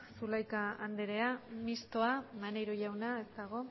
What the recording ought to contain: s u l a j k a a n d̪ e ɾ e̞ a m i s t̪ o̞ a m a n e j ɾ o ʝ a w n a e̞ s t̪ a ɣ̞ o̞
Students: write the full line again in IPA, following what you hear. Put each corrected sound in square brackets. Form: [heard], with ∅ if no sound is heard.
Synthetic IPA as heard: s u l a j k a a n d̪ e ɾ e̞ a m i s t̪ o̞ a m a n e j ɾ o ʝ a w n a e̞ s t̪ a ɣ̞ o̞